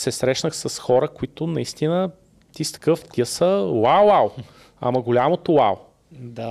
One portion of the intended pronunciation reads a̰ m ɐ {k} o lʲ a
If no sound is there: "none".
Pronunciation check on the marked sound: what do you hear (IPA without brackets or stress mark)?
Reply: ɡ